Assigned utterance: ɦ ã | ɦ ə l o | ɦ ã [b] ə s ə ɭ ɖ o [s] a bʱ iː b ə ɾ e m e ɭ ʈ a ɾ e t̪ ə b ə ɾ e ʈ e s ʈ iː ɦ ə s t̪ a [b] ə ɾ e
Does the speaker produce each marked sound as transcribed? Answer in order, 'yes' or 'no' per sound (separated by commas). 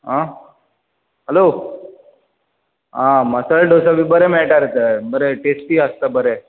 no, yes, yes